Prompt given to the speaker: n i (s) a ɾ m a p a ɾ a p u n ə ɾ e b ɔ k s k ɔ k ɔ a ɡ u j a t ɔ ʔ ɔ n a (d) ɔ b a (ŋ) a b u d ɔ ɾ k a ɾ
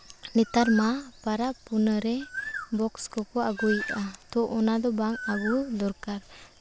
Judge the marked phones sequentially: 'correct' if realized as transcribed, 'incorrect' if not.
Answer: incorrect: t, correct, correct

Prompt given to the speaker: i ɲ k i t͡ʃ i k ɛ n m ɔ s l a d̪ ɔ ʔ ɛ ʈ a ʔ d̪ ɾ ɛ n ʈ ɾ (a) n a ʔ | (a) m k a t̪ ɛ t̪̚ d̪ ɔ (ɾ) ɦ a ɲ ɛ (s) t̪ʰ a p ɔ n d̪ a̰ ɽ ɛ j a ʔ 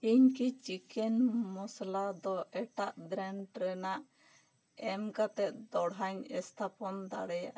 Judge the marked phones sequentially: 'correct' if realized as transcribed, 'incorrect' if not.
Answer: incorrect: ɛ, incorrect: ɛ, incorrect: ɽ, correct

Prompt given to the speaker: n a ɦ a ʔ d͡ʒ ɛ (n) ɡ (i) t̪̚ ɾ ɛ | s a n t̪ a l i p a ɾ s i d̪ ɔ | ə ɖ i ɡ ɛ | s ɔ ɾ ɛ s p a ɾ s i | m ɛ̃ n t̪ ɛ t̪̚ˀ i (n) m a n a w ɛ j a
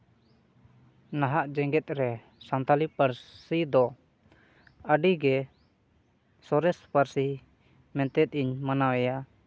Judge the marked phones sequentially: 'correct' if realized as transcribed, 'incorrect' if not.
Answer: incorrect: ŋ, incorrect: ɛ, incorrect: ɲ

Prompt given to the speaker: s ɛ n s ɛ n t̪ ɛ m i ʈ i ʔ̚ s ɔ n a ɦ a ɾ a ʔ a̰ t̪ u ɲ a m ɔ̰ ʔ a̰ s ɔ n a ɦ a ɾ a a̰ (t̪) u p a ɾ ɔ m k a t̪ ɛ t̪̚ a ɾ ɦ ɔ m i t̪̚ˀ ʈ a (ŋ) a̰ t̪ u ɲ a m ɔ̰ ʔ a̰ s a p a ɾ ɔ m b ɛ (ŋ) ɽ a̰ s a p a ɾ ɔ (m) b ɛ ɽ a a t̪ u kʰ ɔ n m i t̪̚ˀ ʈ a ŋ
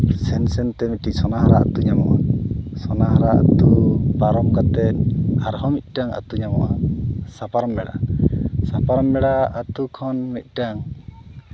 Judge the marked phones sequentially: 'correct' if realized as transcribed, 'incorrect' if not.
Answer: correct, correct, incorrect: none, correct

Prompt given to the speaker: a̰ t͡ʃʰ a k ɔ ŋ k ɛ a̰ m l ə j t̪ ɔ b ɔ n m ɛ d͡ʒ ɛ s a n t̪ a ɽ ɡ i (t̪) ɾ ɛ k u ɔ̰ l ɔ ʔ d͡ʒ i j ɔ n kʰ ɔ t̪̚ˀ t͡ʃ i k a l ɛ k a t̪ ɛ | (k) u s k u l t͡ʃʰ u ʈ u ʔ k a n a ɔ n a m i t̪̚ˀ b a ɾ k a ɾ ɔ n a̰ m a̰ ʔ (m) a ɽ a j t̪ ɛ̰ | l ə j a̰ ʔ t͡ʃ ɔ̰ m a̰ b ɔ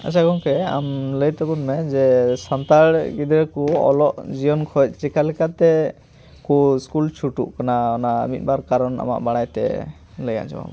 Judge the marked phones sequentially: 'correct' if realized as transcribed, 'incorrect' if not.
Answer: incorrect: d̪, correct, incorrect: b

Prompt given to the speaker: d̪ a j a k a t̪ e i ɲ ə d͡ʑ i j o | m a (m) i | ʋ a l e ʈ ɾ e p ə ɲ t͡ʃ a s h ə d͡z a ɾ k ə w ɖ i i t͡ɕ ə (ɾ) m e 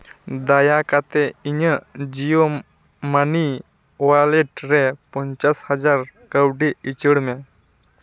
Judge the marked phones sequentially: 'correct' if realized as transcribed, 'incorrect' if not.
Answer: incorrect: n, incorrect: ɽ

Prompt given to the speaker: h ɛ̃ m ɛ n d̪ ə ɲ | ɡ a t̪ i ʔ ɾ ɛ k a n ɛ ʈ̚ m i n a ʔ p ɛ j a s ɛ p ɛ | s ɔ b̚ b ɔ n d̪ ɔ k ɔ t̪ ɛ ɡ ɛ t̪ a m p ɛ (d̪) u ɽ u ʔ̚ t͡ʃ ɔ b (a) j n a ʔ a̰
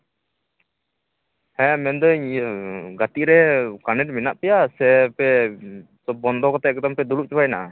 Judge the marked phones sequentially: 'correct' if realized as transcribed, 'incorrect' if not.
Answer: correct, correct

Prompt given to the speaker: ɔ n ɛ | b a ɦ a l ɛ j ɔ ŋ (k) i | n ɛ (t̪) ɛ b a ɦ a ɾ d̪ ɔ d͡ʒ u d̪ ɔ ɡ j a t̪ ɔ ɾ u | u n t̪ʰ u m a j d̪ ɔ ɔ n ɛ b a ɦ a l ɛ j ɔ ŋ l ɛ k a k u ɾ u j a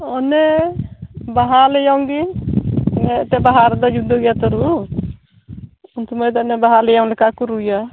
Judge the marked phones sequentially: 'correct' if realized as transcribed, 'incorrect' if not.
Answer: incorrect: ɡ, correct

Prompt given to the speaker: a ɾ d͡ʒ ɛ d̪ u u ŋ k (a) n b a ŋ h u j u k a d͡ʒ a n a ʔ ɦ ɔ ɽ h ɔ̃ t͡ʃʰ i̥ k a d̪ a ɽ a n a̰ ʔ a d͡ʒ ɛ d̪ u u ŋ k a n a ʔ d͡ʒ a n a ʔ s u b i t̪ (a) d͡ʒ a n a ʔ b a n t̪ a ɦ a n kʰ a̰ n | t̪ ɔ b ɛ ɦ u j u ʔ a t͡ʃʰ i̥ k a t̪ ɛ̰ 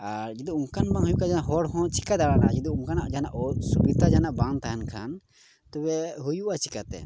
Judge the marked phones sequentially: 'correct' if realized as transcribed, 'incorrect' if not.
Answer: correct, correct

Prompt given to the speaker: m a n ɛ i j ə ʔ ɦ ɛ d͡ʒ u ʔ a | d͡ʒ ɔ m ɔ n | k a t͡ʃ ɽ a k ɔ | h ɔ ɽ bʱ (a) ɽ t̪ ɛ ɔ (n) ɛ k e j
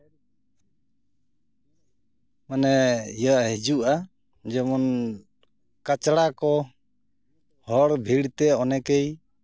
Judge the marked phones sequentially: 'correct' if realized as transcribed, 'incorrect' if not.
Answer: incorrect: i, correct

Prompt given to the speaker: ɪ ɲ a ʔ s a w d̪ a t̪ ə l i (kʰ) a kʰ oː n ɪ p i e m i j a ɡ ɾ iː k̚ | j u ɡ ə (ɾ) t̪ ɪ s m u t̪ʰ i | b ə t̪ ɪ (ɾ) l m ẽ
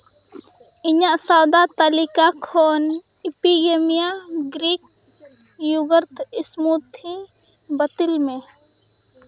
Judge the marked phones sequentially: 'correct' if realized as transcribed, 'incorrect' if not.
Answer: incorrect: k, correct, incorrect: none

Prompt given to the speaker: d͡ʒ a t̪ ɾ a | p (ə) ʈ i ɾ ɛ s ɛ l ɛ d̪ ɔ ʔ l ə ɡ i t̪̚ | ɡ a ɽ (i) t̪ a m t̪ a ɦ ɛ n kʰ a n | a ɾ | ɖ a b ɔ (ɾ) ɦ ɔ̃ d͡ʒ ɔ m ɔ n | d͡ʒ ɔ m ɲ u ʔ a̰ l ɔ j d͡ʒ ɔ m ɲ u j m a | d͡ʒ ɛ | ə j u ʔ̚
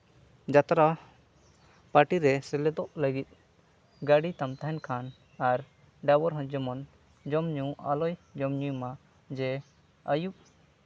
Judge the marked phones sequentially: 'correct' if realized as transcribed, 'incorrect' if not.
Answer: incorrect: a, correct, correct

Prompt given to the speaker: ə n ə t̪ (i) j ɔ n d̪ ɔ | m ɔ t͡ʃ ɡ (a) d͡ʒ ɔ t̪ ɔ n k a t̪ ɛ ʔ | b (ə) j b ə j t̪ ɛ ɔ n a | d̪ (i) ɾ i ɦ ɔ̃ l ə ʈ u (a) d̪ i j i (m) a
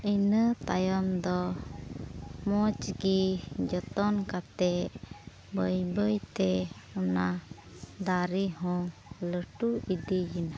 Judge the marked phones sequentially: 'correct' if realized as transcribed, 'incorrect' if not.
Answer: incorrect: a, incorrect: i, correct, incorrect: a, incorrect: i, incorrect: n

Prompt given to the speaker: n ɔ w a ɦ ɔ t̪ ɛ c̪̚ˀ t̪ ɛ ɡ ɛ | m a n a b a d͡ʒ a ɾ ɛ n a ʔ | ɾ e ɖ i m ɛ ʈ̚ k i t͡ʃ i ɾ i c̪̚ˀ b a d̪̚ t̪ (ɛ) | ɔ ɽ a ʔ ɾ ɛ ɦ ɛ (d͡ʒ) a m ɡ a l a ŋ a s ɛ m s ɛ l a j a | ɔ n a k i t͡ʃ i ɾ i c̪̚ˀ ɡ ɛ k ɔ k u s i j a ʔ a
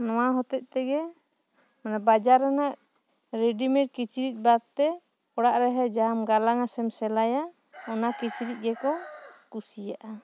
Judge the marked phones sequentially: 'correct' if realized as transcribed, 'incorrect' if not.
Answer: correct, correct

